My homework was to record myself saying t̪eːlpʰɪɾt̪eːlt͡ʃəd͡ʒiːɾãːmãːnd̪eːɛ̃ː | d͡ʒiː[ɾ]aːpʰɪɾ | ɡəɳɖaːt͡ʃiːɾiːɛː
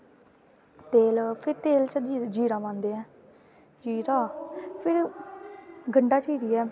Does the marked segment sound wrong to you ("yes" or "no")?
no